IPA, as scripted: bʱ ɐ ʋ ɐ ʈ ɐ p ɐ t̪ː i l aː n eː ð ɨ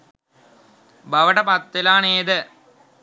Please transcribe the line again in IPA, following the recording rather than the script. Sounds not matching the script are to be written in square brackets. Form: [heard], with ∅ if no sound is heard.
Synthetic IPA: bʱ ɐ ʋ ɐ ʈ ɐ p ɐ t̪ː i l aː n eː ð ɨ